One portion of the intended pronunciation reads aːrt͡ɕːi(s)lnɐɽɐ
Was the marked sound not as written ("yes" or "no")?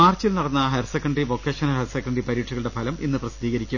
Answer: yes